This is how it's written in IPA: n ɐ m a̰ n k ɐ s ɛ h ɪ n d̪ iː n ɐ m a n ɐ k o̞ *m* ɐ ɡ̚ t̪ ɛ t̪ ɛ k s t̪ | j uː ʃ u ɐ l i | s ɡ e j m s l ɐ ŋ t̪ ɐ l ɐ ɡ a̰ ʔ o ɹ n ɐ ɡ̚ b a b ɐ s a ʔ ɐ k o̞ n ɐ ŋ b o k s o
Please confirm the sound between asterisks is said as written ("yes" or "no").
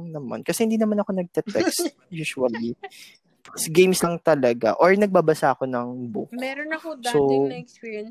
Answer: no